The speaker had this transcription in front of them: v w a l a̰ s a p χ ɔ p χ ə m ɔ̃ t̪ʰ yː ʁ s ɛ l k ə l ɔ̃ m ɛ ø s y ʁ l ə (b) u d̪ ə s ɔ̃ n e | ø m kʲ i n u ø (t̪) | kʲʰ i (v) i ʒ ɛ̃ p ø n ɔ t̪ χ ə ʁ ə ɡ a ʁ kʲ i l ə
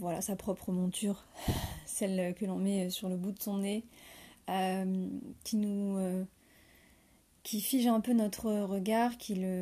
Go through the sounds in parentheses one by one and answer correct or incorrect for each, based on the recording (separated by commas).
correct, incorrect, incorrect